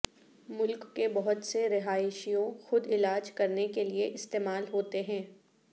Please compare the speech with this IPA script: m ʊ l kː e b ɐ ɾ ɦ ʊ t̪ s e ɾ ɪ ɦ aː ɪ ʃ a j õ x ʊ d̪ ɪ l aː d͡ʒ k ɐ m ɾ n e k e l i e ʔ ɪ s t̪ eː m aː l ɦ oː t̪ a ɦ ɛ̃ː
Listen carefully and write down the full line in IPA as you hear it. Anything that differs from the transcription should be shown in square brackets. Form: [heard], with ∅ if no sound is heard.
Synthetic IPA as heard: m ʊ l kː e b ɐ [∅] ɦ ʊ t̪ s e ɾ ɪ ɦ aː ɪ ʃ [i] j õ x ʊ d̪ ɪ l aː d͡ʒ k ɐ [∅] ɾ n e k e l i e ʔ ɪ s t̪ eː m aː l ɦ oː t̪ [e] ɦ ɛ̃ː